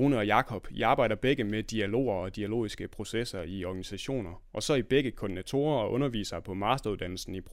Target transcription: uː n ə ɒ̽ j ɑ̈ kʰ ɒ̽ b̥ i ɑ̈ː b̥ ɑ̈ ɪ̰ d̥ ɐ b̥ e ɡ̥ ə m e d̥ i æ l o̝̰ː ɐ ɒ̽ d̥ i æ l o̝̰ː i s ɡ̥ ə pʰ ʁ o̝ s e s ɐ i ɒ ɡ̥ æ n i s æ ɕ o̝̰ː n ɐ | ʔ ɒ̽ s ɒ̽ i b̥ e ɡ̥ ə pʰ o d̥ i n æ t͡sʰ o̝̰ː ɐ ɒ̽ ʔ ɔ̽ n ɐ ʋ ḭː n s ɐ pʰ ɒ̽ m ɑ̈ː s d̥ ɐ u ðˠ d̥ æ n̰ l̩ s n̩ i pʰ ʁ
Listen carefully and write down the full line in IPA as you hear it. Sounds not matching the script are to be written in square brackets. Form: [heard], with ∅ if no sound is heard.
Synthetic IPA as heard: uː n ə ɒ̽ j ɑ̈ kʰ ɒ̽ b̥ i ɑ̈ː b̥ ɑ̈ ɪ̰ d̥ ɐ b̥ e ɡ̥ ə m e d̥ i æ l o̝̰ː ɐ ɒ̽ d̥ i æ l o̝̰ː i s ɡ̥ ə pʰ ʁ o̝ s e s ɐ i ɒ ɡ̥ æ n i s æ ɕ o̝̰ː n ɐ | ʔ ɒ̽ s ɒ̽ i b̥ e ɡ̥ ə [kʰ] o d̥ i n æ t͡sʰ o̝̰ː ɐ ɒ̽ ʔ ɔ̽ n ɐ ʋ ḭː [∅] s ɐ pʰ ɒ̽ m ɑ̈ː s d̥ ɐ u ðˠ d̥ æ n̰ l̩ s n̩ i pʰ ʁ